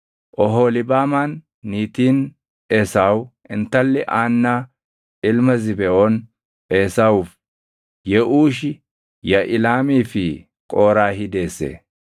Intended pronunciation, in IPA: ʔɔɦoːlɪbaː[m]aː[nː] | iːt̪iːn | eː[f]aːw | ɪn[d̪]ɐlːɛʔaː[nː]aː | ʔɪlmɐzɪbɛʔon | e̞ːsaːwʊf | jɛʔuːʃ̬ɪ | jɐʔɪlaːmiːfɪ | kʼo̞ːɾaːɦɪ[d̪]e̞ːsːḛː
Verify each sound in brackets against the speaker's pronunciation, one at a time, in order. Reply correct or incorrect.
correct, correct, incorrect, incorrect, correct, correct

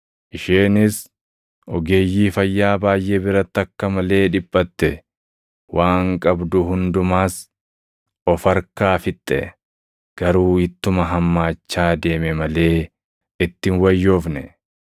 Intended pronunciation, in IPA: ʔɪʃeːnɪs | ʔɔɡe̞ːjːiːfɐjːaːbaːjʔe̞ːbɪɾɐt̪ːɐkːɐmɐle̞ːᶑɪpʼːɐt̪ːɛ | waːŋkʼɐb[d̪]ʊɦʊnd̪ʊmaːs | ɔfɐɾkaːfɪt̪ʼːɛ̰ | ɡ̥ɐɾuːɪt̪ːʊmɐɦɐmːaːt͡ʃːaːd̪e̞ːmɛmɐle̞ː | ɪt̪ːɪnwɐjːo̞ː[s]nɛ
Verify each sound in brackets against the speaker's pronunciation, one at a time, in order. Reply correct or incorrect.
correct, incorrect

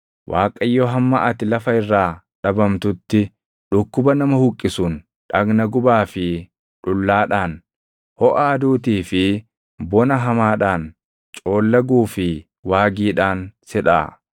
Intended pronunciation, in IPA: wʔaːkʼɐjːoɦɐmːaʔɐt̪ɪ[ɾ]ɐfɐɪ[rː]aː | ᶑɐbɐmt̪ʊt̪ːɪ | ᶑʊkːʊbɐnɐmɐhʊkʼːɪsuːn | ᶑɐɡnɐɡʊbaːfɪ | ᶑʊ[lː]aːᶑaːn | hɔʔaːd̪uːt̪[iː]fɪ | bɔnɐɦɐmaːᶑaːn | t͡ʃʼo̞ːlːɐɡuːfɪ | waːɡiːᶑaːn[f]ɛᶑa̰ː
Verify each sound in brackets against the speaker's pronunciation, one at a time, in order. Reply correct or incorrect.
incorrect, correct, correct, correct, incorrect

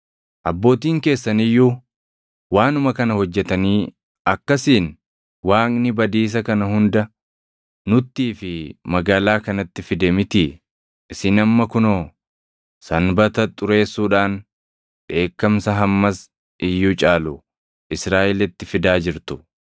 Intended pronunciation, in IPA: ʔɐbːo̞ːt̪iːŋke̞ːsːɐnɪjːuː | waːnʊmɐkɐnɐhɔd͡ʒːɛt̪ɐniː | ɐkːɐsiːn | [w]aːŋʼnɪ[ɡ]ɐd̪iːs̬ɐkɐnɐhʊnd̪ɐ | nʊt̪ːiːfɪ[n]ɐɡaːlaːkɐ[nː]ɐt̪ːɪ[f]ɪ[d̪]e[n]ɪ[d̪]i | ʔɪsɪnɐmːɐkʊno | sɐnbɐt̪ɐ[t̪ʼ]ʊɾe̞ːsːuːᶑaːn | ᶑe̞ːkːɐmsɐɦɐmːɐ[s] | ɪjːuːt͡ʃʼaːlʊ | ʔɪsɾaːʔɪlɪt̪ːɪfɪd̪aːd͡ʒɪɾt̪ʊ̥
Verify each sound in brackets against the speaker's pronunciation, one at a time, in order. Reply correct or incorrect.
correct, incorrect, incorrect, incorrect, correct, correct, incorrect, incorrect, correct, correct

